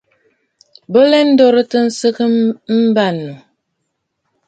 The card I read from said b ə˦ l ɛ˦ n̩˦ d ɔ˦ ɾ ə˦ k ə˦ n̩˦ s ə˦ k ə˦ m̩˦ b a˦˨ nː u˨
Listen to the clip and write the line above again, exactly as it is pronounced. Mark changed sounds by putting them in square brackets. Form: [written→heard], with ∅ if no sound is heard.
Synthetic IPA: b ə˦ l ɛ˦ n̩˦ d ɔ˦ ɾ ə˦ [k→t] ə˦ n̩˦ s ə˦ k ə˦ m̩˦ b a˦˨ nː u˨

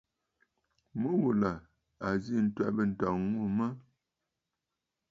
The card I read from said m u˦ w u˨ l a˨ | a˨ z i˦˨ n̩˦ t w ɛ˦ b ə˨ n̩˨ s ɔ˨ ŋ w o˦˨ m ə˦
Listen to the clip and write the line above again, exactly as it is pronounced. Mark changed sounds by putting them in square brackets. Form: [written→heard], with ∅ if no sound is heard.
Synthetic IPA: m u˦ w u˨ l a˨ | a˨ z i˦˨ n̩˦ t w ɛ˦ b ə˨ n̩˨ [s→t] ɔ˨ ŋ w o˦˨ m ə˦

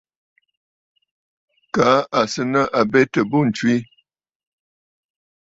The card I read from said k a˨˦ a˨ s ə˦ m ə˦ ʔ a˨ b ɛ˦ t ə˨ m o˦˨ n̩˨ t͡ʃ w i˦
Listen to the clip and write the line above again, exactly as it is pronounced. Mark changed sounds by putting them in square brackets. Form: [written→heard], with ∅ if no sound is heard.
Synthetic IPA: k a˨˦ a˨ s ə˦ [m→n] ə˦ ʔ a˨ b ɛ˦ t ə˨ [m→b] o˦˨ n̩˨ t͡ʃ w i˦

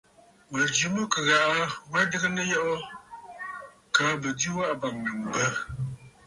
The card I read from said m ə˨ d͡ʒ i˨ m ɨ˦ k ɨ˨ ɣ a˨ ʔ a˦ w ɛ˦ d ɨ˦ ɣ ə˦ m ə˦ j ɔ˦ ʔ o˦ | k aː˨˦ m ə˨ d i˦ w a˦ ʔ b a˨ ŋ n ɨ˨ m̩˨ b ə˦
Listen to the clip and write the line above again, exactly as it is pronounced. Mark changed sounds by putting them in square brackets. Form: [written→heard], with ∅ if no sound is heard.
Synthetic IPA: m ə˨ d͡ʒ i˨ m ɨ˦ k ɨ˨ ɣ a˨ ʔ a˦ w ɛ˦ d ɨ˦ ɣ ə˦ [m→n] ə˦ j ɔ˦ ʔ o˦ | k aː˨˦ [m→b] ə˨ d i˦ w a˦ ʔ b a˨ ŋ n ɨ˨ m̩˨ b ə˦

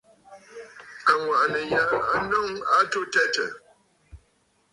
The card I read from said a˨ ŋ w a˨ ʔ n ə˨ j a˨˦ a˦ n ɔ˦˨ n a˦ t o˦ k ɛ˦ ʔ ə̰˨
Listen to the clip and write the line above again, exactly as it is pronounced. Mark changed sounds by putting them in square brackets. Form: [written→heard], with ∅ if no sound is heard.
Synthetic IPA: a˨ ŋ w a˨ ʔ n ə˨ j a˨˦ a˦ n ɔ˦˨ [n→ŋ] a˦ t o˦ [k→t] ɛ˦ [ʔ→t] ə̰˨

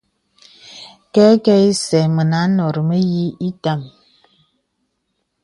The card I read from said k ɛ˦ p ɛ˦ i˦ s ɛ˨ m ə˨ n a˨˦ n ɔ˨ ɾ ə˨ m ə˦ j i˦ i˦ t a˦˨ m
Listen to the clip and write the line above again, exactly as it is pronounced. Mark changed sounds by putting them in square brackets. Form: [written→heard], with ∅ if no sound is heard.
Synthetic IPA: k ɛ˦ [p→k] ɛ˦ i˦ s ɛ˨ m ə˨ n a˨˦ n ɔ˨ ɾ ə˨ m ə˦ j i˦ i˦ t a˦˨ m

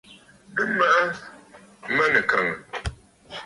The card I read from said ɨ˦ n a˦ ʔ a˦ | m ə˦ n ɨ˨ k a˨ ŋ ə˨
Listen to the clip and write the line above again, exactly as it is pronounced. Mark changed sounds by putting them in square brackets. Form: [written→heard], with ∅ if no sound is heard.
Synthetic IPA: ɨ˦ [n→m] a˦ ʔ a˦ | m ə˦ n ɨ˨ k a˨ ŋ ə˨

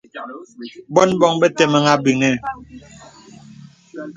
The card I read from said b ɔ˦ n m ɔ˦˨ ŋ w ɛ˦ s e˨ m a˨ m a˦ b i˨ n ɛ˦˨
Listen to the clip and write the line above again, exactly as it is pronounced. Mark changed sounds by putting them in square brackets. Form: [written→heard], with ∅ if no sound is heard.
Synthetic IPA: b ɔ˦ n [m→b] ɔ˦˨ ŋ [w→b] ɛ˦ [s→t] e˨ m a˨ [m→ŋ] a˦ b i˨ [n→ŋ] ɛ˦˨

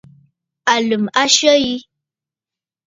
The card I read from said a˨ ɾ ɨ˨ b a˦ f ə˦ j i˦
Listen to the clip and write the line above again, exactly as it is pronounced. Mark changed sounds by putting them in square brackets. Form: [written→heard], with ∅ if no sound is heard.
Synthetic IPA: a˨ [ɾ→l] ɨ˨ [b→m] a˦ [f→ʃ] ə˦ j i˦

